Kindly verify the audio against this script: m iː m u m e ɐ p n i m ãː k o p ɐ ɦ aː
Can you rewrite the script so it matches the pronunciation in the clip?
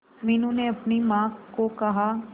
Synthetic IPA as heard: m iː n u n e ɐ p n i m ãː k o k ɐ ɦ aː